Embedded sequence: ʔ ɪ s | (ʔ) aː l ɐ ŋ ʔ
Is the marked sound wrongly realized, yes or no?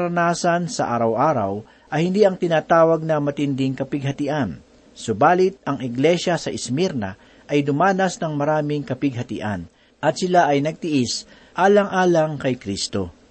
no